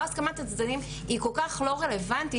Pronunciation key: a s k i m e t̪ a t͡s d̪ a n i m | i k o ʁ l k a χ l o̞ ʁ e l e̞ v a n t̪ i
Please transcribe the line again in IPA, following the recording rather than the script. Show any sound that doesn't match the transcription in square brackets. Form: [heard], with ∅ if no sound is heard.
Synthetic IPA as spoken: a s k [a] m [a] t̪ a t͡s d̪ a n i m | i k o [∅] l k a χ l o̞ ʁ e l e̞ v a n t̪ i